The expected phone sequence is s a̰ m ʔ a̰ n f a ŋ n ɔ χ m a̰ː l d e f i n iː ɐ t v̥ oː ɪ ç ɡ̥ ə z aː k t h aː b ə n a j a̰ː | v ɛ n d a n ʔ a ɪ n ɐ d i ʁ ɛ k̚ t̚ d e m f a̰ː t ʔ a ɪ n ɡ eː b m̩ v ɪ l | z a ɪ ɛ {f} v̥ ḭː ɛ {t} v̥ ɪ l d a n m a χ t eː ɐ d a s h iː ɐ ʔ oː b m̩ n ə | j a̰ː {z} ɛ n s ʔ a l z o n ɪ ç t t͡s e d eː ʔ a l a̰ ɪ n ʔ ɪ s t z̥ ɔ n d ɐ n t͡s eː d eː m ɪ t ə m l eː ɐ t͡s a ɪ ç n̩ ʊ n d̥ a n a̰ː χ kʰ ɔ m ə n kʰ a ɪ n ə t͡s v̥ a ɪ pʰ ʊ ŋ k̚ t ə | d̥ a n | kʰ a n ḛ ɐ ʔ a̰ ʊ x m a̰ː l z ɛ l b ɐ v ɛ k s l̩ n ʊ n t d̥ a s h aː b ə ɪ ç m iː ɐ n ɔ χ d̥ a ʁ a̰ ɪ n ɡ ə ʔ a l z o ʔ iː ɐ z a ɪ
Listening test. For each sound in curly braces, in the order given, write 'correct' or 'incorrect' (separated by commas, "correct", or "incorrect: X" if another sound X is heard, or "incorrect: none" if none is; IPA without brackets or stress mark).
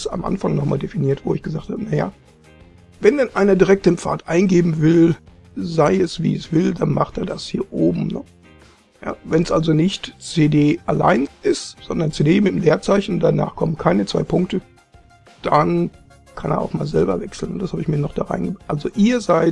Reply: incorrect: s, incorrect: s, incorrect: v